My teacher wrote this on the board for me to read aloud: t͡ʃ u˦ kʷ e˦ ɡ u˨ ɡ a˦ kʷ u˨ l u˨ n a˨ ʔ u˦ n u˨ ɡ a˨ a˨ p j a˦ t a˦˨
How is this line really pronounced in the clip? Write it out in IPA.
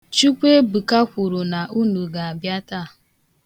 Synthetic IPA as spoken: t͡ʃ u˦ kʷ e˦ b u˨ k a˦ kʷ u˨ ɾ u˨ n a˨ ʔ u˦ n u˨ ɡ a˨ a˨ b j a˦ t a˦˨